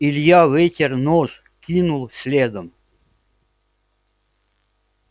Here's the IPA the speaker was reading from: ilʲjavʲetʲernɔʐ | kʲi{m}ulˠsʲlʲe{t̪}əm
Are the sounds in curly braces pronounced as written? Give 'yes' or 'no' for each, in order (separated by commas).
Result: no, no